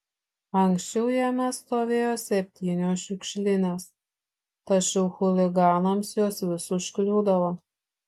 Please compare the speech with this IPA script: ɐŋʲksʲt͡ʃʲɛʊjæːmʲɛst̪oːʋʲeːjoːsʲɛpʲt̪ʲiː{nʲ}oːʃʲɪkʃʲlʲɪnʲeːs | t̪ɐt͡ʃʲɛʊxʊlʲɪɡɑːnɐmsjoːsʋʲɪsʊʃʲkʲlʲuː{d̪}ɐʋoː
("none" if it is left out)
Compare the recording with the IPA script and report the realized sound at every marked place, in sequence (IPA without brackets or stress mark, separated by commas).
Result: nʲ, d̪